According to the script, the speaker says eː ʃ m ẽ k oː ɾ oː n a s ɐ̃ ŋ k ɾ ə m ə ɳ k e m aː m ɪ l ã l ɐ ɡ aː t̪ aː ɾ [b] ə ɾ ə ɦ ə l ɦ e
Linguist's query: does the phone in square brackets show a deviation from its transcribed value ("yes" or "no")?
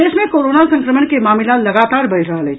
no